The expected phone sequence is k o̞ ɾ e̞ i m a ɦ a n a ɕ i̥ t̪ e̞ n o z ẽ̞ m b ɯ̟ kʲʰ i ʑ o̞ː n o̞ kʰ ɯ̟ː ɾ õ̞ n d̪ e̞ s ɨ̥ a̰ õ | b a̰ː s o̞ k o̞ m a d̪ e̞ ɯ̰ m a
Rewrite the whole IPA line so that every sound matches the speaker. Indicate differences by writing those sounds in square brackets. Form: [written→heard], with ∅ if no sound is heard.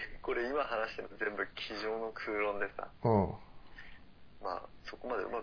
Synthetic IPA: k o̞ ɾ e̞ i m a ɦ a n a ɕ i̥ t̪ e̞ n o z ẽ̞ m b ɯ̟ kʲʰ i ʑ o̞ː n o̞ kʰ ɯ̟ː ɾ õ̞ n d̪ e̞ s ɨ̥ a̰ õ | [b→m] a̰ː s o̞ k o̞ m a d̪ e̞ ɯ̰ m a